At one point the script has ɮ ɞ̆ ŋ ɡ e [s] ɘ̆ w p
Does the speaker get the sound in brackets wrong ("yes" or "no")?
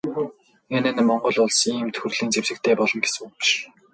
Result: no